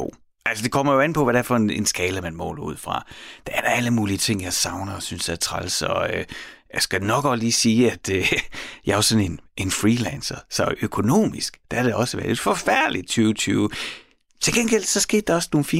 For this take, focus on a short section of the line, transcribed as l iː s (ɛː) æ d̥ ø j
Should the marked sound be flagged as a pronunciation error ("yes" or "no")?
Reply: yes